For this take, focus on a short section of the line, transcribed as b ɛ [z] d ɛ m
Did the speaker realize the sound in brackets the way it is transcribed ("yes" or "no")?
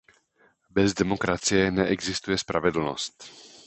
yes